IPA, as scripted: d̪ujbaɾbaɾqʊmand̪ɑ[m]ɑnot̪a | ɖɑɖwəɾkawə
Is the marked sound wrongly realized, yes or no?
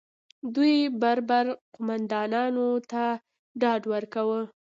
yes